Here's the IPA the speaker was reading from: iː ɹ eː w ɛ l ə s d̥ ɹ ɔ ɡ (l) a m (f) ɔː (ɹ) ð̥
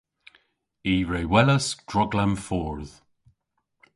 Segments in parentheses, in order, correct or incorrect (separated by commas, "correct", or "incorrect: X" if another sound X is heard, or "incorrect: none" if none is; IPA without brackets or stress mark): correct, correct, correct